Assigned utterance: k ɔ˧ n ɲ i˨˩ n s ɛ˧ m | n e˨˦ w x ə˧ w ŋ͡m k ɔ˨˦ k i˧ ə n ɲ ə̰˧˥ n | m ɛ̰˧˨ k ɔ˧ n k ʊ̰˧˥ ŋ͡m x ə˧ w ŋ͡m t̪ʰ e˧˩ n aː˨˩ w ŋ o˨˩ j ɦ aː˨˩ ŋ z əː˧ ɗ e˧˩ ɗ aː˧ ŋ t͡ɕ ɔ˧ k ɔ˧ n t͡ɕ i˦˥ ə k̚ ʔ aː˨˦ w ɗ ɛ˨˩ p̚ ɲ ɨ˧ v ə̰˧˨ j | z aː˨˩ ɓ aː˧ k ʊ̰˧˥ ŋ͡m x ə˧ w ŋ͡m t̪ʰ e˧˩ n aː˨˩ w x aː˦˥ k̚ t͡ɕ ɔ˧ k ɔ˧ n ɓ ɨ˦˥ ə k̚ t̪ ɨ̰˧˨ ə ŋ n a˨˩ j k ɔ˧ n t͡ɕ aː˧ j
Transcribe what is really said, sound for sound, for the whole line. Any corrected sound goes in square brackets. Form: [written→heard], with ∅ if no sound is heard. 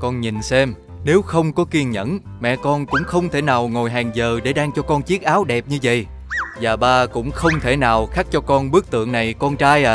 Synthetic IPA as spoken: k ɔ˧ n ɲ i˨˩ n s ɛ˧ m | n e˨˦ w x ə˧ w ŋ͡m k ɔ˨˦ k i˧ ə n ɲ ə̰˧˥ n | m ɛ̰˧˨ k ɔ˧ n k ʊ̰˧˥ ŋ͡m x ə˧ w ŋ͡m t̪ʰ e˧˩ n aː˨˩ w ŋ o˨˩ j ɦ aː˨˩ ŋ z [əː˧→əː˨˩] ɗ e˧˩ ɗ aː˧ ŋ t͡ɕ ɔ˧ k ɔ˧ n t͡ɕ i˦˥ ə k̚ ʔ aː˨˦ w ɗ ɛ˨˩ p̚ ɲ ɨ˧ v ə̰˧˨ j | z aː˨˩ ɓ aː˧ k ʊ̰˧˥ ŋ͡m x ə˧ w ŋ͡m t̪ʰ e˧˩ n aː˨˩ w x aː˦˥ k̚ t͡ɕ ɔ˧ k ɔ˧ n ɓ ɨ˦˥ ə k̚ t̪ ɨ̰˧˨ ə ŋ n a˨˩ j k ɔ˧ n t͡ɕ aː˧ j